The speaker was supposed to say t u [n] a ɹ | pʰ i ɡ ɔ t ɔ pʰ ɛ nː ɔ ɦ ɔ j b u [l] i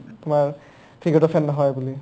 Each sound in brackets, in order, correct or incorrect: incorrect: m, correct

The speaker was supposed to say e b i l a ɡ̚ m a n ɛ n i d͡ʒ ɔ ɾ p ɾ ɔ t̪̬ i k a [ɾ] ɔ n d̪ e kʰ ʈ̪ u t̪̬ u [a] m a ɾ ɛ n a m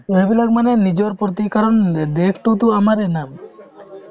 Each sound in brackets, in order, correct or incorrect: correct, correct

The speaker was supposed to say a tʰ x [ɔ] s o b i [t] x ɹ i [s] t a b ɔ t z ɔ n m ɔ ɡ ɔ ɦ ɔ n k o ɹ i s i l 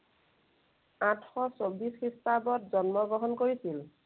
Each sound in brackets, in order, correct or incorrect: correct, incorrect: s, correct

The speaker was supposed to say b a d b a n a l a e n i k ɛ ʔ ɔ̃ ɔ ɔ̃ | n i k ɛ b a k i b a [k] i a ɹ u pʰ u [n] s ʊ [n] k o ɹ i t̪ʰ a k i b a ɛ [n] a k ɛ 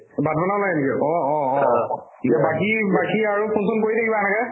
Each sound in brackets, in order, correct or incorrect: correct, correct, correct, correct

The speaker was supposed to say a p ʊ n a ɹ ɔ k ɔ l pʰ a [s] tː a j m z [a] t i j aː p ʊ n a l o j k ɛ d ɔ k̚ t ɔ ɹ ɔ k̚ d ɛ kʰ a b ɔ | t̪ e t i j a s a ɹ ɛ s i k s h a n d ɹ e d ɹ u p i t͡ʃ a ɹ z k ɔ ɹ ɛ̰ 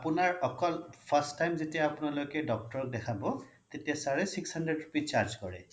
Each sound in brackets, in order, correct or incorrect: correct, incorrect: e

